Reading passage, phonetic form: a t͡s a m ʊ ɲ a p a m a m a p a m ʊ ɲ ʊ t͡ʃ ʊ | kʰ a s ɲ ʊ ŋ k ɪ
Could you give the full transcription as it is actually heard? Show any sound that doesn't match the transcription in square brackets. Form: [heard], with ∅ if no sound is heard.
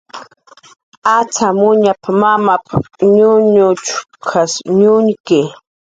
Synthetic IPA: a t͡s a m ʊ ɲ a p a m a m a p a [ɲ] ʊ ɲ ʊ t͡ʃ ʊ | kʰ a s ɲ ʊ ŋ k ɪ